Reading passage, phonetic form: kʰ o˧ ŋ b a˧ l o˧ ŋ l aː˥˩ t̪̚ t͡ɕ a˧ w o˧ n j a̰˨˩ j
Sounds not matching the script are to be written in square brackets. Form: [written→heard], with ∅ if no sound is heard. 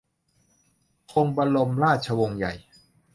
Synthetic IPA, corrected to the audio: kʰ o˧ ŋ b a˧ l o˧ [ŋ→m] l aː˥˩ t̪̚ [t͡ɕ→t͡ɕʰ] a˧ w o˧ [n→ŋ] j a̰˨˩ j

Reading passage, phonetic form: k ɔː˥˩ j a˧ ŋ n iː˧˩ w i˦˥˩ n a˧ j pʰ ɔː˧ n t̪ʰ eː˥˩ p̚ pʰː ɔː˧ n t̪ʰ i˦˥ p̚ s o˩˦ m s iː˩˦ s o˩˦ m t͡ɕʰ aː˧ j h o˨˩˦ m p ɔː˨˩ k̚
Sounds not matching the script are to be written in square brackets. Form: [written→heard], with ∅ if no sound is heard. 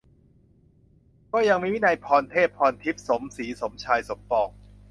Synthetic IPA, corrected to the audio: k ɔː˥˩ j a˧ ŋ [n→m] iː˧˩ w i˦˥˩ n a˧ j pʰ ɔː˧ n t̪ʰ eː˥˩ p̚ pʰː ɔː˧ n t̪ʰ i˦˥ p̚ s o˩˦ m s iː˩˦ s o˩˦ m t͡ɕʰ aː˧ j [h→s] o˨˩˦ m p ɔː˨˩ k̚

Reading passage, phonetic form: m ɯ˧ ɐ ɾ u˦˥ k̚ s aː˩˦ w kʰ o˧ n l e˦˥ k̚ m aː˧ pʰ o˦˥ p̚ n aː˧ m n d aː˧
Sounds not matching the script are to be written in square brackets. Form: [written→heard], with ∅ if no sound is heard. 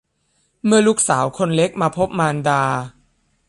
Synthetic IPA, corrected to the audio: m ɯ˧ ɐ [ɾ→l] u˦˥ k̚ s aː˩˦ w kʰ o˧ n l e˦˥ k̚ m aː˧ pʰ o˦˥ p̚ [n→m] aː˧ [m→∅] n d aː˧

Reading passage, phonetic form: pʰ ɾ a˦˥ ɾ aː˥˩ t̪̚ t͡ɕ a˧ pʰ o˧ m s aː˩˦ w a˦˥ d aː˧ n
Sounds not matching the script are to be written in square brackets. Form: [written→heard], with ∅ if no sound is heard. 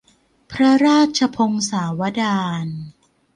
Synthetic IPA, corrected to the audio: pʰ ɾ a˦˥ ɾ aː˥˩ t̪̚ [t͡ɕ→t͡ɕʰ] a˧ pʰ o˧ [m→ŋ] s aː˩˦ w a˦˥ d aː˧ n

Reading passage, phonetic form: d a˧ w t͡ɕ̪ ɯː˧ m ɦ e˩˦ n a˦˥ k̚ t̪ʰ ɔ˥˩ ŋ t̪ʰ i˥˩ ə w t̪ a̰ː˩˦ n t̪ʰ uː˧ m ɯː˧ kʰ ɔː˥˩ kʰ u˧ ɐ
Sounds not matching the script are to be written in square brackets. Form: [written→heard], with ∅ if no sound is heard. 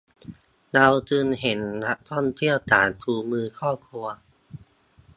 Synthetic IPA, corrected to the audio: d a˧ w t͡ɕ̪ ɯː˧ [m→n] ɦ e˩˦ [n→nː] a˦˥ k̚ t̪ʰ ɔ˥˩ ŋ t̪ʰ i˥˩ ə w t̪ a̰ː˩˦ n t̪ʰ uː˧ m ɯː˧ kʰ ɔː˥˩ kʰ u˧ ɐ

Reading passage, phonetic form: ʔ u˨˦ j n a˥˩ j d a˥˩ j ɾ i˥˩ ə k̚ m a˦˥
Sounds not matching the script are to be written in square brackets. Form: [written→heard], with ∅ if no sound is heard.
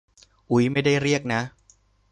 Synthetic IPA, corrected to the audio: ʔ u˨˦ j [n→m] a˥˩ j d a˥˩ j ɾ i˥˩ ə k̚ [m→n] a˦˥

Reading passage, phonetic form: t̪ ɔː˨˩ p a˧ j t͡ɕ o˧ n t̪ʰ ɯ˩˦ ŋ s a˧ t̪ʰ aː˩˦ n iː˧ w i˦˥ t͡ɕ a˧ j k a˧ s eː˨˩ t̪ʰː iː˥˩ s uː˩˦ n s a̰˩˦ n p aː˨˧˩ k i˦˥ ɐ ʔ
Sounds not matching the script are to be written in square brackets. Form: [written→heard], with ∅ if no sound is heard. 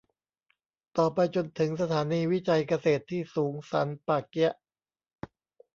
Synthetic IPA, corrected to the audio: t̪ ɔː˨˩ p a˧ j t͡ɕ o˧ n t̪ʰ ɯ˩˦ ŋ s a˧ t̪ʰ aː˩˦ n iː˧ w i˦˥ t͡ɕ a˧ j k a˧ s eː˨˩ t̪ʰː iː˥˩ s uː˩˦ [n→ŋ] s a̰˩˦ n p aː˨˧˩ k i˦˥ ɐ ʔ

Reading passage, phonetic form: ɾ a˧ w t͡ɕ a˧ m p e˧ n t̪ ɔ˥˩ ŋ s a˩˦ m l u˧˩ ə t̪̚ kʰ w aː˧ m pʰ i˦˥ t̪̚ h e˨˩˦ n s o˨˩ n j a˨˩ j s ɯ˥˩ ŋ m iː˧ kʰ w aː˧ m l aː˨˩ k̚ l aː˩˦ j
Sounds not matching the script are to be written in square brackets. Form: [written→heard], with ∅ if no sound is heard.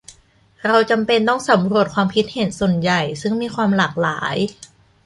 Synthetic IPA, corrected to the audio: ɾ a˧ w t͡ɕ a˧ m p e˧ n t̪ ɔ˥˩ ŋ s a˩˦ m [l→ɾ] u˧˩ ə t̪̚ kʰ w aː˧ m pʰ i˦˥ t̪̚ h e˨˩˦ n s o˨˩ n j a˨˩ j s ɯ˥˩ ŋ m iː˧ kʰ w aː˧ m l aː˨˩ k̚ l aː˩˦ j

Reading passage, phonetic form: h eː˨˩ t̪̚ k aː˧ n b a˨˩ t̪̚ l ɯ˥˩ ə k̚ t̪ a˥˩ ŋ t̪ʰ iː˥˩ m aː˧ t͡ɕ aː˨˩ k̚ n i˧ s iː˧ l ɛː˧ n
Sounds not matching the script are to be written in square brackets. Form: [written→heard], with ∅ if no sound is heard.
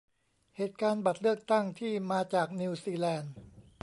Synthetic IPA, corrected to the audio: h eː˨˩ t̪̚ k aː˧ n b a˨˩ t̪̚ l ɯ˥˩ ə k̚ t̪ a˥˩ ŋ t̪ʰ iː˥˩ m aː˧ t͡ɕ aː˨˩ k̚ n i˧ s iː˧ l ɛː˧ n

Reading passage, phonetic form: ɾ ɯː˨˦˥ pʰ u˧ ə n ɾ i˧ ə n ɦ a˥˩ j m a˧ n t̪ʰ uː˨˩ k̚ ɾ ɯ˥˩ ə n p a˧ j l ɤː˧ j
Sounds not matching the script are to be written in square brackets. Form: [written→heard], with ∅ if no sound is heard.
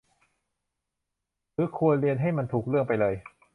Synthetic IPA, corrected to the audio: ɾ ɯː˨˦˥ [pʰ→kʰ] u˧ ə n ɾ i˧ ə n ɦ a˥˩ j m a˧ n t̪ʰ uː˨˩ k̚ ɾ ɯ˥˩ ə [n→ŋ] p a˧ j l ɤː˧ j

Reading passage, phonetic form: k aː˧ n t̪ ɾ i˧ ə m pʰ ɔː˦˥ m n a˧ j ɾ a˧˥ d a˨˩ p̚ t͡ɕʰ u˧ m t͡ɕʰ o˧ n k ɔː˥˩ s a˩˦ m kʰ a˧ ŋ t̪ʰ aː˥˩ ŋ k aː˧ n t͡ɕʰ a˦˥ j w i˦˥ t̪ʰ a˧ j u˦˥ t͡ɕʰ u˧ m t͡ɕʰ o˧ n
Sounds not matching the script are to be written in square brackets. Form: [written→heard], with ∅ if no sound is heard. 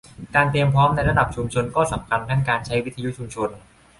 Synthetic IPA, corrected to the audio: k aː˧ n t̪ ɾ i˧ ə m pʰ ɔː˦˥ m n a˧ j ɾ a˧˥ d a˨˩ p̚ t͡ɕʰ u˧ m t͡ɕʰ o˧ n k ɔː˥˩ s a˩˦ m kʰ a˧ [ŋ→n] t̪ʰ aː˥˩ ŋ k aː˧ n t͡ɕʰ a˦˥ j w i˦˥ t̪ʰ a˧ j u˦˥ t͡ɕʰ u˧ m t͡ɕʰ o˧ n

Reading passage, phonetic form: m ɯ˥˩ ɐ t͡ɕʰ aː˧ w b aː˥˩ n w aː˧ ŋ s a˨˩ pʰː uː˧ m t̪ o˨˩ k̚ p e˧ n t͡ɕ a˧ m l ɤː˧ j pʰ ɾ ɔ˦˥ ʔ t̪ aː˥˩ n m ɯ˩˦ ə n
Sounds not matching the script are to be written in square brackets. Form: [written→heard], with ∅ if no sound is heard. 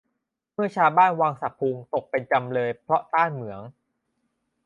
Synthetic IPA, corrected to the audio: m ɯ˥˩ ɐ t͡ɕʰ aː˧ w b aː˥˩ n w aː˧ ŋ s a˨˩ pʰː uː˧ [m→ŋ] t̪ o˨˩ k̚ p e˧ n t͡ɕ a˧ m l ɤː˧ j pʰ ɾ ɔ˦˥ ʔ t̪ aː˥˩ n m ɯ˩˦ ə [n→ŋ]

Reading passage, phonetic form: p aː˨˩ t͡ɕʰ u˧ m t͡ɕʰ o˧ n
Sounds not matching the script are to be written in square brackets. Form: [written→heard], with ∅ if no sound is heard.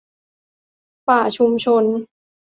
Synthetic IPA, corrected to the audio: p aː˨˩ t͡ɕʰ u˧ m t͡ɕʰ o˧ n

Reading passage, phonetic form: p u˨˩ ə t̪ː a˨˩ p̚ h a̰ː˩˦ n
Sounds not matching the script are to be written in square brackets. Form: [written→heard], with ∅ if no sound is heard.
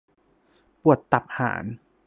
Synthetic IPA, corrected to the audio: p u˨˩ ə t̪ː a˨˩ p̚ h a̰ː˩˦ n

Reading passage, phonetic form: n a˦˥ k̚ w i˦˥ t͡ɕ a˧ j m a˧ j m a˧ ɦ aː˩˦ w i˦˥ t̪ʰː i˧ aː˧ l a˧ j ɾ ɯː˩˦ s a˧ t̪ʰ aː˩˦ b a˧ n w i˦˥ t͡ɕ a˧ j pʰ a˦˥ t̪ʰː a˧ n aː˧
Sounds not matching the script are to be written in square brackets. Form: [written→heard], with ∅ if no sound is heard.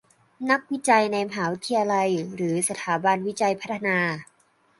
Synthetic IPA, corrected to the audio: n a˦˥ k̚ w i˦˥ t͡ɕ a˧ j [m→n] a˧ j m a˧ ɦ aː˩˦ w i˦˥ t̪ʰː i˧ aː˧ l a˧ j ɾ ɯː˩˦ s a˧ t̪ʰ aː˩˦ b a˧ n w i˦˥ t͡ɕ a˧ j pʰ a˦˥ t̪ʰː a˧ n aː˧

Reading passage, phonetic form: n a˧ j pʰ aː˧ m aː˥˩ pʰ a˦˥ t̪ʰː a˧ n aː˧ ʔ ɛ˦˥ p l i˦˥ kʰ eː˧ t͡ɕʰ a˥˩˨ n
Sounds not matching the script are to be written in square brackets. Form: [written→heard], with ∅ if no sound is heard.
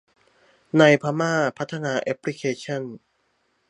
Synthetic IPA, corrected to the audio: n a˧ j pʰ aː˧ m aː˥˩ pʰ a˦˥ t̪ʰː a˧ n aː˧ ʔ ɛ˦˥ p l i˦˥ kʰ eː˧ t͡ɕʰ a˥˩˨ n

